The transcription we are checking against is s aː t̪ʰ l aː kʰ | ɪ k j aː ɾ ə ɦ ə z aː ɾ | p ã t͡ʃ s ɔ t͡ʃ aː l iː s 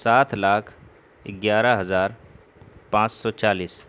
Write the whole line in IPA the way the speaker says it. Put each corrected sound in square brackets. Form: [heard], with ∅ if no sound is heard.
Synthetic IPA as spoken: s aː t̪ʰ l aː kʰ | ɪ [ɡ] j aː ɾ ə ɦ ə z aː ɾ | p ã t͡ʃ s ɔ t͡ʃ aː l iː s

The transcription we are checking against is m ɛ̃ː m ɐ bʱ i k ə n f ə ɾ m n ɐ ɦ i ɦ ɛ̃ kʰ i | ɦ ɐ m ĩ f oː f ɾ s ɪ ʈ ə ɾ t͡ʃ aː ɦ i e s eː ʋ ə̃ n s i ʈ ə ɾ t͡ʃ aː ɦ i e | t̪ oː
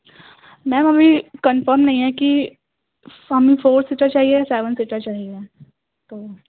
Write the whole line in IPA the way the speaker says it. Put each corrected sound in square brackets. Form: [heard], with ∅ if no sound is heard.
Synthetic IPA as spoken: m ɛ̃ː m ɐ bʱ i k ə n f ə ɾ m n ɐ ɦ [ĩ] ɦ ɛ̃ [k] i | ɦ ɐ m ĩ f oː [∅] ɾ s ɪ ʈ ə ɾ t͡ʃ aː ɦ i e s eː ʋ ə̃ n s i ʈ ə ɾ t͡ʃ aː ɦ i e | t̪ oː

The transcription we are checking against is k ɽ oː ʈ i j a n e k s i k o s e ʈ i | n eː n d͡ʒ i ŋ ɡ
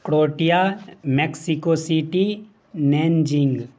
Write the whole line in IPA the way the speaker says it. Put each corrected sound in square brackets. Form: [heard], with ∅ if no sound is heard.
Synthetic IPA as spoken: k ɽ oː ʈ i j a [m] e k s i k o s [i] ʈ i | n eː n d͡ʒ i ŋ ɡ

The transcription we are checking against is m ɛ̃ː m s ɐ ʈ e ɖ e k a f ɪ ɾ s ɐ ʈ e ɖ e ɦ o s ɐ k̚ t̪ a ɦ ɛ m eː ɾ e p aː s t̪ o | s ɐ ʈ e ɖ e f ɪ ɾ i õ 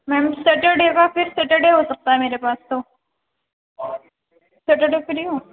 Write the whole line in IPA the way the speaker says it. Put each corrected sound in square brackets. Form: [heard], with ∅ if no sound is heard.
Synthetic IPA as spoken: m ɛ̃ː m s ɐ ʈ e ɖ e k a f ɪ ɾ s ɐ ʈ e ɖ e ɦ o s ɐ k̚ t̪ a ɦ ɛ m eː ɾ e p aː s t̪ o | s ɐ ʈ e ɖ e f ɪ ɾ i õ

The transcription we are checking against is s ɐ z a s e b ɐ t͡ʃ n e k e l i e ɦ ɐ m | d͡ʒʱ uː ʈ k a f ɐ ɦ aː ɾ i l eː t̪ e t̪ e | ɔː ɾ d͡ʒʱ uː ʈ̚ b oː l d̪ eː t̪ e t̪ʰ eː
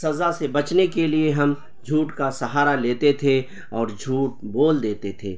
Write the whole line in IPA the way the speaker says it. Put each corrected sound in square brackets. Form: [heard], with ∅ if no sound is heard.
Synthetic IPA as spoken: s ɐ z a s e b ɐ t͡ʃ n e k e l i e ɦ ɐ m | d͡ʒʱ uː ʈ k a [s] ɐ ɦ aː ɾ [a] l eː t̪ e [t̪ʰ] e | ɔː ɾ d͡ʒʱ uː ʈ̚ b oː l d̪ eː t̪ e t̪ʰ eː

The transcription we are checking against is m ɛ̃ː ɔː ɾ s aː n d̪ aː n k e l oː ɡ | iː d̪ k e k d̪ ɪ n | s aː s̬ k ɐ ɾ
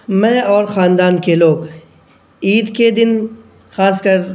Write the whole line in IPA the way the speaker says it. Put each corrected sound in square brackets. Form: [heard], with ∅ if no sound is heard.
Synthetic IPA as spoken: m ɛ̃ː ɔː ɾ [x] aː n d̪ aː n k e l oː ɡ | iː d̪ k e [∅] d̪ ɪ n | [x] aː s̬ k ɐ ɾ

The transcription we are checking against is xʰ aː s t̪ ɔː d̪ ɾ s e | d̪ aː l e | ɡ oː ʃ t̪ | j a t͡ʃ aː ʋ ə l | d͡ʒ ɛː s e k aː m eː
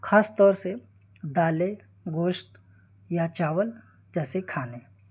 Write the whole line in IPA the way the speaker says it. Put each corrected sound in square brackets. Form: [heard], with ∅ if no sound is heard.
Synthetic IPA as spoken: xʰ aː s t̪ ɔː [∅] ɾ s e | d̪ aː l e | ɡ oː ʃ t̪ | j a t͡ʃ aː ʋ ə l | d͡ʒ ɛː s e [kʰ] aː [n] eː

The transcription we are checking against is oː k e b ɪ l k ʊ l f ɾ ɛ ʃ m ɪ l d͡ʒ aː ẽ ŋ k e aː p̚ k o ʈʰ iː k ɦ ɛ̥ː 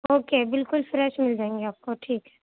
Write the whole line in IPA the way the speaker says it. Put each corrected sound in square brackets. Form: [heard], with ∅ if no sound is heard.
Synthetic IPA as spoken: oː k e b ɪ l k ʊ l f ɾ ɛ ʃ m ɪ l d͡ʒ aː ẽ ŋ [ɡ] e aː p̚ k o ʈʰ iː k ɦ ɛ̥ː

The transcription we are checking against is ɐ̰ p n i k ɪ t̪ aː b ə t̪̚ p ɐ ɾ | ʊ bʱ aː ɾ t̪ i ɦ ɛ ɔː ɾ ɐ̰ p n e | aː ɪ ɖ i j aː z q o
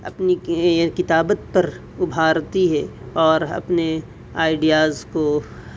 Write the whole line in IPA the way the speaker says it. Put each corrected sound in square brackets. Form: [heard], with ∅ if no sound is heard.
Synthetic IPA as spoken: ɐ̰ p n i k ɪ t̪ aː b ə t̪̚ p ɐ ɾ | ʊ bʱ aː ɾ t̪ i ɦ ɛ ɔː ɾ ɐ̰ p n e | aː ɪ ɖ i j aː z [k] o

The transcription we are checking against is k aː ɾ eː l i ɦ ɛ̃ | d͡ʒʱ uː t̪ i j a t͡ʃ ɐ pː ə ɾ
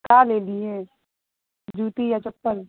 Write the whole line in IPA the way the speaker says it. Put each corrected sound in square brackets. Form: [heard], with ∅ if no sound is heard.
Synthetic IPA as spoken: k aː [l] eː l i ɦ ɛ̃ | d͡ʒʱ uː t̪ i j a t͡ʃ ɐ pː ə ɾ

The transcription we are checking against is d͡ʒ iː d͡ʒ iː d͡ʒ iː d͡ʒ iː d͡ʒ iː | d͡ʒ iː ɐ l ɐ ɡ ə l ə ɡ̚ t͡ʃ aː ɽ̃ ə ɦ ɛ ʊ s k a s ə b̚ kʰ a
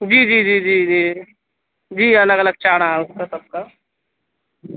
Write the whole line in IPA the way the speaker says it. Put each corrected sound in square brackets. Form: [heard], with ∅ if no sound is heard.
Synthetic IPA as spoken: d͡ʒ iː d͡ʒ iː d͡ʒ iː d͡ʒ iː d͡ʒ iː | d͡ʒ iː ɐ l [ə] ɡ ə l ə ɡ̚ t͡ʃ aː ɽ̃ [a] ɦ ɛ ʊ s k a s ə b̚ [k] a

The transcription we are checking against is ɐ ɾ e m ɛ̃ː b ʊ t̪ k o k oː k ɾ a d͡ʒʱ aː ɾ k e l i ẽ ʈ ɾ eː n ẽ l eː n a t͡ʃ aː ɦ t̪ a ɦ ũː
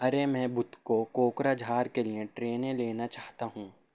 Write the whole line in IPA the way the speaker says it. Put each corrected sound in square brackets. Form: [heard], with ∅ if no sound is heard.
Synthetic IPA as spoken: ɐ ɾ e m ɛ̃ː b ʊ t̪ k o k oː k ɾ a d͡ʒʱ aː ɾ k e l i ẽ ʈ ɾ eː n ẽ l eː n a t͡ʃ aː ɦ t̪ a ɦ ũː

